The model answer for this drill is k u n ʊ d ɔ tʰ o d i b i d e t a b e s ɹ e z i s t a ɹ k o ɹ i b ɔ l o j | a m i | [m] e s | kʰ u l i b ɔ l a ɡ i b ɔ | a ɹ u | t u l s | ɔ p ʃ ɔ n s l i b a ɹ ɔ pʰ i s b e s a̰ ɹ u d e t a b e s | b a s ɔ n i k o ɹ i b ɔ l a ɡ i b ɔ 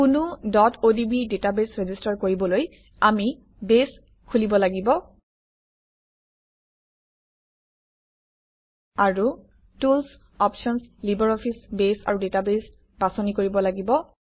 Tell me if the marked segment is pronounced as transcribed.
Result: no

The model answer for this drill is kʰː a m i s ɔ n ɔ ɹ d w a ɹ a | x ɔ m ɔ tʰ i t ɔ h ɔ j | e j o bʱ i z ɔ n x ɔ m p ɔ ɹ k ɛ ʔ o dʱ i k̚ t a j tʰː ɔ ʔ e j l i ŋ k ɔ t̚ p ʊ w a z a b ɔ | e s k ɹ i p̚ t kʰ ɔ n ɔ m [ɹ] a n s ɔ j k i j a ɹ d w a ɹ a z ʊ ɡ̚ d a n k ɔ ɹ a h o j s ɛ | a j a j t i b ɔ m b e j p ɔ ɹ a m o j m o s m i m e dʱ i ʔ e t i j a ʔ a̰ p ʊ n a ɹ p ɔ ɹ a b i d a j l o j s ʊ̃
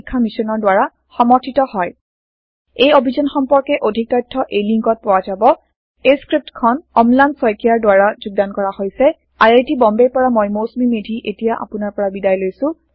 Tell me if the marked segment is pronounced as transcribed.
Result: no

